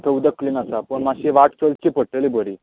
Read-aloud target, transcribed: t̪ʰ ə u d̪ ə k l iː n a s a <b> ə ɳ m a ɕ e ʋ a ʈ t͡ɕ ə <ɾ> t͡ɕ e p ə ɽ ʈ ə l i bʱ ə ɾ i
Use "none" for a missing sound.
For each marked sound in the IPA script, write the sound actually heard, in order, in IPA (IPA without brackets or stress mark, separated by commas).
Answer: p, l